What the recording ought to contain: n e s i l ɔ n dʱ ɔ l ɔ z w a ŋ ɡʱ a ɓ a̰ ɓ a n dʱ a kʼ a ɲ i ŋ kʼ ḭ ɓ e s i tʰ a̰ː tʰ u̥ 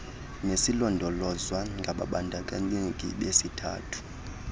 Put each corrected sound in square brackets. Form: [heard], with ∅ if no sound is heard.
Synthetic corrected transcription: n e s i l ɔ n dʱ ɔ l ɔ z w a ŋ ɡʱ a ɓ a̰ ɓ a n dʱ a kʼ a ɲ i ŋ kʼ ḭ ɓ e s i tʰ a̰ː tʰ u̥